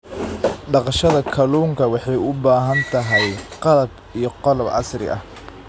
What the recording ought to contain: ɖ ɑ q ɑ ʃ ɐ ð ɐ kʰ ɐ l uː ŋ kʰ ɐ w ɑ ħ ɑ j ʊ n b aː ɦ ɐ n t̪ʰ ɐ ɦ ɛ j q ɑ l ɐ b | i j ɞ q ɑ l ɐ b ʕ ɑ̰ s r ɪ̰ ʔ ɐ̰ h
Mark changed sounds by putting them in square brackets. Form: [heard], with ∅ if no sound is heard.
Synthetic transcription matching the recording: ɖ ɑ q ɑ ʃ ɐ ð ɐ kʰ ɐ l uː ŋ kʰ ɐ w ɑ ħ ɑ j ʊ [∅] b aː ɦ ɐ n t̪ʰ ɐ ɦ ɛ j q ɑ l ɐ b | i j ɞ q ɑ l ɐ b ʕ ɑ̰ s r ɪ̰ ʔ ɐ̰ h